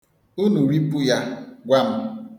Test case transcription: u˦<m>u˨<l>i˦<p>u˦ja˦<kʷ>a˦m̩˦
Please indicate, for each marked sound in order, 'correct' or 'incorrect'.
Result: incorrect: n, incorrect: ɾ, correct, incorrect: ɡʷ

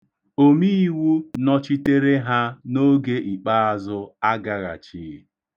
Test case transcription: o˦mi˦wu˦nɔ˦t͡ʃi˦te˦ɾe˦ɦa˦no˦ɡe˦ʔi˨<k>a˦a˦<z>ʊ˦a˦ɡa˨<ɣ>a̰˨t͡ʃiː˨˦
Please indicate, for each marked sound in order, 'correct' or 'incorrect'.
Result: incorrect: k͡p, correct, correct

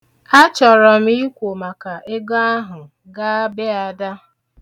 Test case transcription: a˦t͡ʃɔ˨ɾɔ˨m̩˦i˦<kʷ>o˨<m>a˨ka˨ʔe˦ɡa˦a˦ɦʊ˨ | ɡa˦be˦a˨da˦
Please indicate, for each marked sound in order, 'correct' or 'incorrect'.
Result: correct, correct

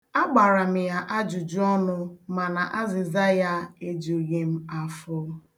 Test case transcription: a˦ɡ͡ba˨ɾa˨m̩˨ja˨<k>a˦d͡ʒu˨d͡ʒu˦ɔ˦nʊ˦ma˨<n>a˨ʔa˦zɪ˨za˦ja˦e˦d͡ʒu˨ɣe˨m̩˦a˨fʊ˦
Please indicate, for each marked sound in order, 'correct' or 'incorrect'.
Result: incorrect: ʔ, correct

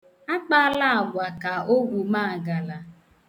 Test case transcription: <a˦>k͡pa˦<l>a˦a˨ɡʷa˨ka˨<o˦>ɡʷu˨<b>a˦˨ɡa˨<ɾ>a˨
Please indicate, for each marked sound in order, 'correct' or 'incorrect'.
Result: correct, correct, correct, incorrect: m, incorrect: l

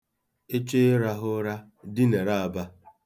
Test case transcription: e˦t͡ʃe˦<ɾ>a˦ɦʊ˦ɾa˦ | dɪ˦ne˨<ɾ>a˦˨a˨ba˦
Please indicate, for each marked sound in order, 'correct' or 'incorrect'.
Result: correct, correct

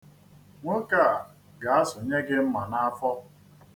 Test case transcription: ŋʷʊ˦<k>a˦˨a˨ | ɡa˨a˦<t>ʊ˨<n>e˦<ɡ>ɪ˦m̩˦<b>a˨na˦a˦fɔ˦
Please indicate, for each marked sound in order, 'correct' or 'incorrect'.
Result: correct, incorrect: s, incorrect: ɲ, correct, incorrect: m

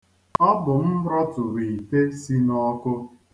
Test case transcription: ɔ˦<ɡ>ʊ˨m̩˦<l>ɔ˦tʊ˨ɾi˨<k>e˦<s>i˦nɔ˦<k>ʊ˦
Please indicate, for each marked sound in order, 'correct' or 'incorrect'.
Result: incorrect: b, incorrect: ɾ, incorrect: t, correct, correct

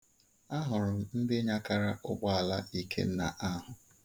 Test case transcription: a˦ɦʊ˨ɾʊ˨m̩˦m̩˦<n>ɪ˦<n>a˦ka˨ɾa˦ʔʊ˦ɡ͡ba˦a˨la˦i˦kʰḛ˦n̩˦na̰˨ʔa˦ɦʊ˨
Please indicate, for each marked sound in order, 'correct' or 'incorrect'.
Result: incorrect: d, incorrect: ɲ

